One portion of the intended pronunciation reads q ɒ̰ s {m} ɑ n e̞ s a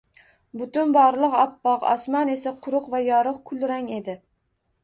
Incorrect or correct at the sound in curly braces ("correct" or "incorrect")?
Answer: correct